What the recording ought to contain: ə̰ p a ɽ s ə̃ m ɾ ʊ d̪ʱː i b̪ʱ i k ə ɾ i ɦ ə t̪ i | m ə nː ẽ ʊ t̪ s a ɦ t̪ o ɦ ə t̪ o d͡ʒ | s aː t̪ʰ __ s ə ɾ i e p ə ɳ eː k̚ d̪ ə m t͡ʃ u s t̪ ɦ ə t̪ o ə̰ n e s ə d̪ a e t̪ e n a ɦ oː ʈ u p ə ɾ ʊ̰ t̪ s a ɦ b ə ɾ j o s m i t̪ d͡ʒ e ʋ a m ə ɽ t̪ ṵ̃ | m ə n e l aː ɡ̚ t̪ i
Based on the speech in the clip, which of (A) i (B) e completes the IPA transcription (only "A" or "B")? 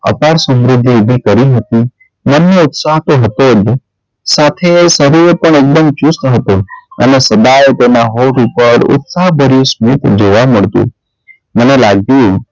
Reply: B